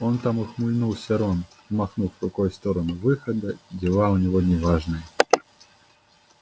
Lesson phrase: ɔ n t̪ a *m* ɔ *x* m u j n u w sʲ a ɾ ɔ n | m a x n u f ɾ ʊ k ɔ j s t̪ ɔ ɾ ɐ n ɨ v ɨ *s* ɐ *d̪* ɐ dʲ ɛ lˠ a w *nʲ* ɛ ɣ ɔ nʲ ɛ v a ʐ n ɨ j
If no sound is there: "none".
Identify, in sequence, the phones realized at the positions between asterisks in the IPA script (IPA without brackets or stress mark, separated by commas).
m, x, x, d̪, nʲ